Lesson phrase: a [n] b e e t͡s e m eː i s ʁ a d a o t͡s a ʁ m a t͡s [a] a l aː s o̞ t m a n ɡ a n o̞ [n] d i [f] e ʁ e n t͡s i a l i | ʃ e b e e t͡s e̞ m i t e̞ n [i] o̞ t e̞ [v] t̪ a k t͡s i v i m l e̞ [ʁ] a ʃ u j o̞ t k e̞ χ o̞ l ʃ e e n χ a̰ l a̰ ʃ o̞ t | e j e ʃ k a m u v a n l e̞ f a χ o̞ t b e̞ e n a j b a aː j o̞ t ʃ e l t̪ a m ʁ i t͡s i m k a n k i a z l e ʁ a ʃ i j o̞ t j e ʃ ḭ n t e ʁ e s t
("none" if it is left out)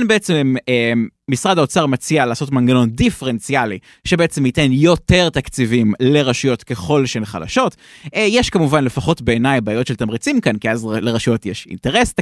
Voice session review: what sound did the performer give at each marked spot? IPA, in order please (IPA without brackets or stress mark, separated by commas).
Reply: n, i, n, f, j, ʁ, ʁ